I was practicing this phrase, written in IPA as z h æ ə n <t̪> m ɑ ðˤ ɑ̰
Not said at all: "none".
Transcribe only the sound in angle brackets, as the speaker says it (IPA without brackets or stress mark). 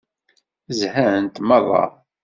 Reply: t̪